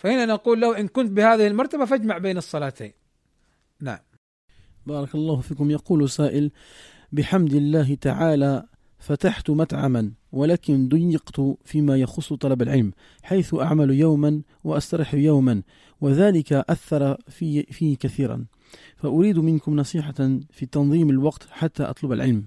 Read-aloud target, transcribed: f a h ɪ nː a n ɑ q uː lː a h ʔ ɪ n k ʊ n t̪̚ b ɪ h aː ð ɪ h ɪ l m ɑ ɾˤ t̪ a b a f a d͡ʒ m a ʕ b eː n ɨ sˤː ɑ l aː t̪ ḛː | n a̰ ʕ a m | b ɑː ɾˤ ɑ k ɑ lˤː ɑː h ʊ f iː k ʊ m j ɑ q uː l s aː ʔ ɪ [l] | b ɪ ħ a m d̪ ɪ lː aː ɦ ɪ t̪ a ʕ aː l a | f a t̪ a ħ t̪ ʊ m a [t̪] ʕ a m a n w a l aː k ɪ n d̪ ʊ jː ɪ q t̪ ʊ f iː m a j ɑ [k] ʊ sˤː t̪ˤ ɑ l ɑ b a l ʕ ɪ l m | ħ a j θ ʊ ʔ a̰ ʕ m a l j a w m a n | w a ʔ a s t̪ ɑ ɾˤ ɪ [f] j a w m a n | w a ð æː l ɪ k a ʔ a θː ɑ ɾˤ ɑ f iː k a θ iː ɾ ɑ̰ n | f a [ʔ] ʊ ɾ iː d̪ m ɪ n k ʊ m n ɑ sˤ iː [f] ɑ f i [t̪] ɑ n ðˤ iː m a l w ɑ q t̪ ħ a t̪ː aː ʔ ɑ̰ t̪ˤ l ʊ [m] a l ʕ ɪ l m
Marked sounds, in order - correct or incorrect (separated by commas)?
correct, correct, incorrect, incorrect, correct, incorrect, correct, incorrect